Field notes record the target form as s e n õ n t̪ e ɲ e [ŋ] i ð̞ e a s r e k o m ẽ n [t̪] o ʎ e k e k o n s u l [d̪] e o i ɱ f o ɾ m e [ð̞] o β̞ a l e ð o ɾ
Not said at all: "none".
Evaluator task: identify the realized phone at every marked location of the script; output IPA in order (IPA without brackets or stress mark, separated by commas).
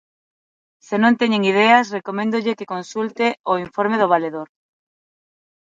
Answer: ŋ, d̪, t̪, ð̞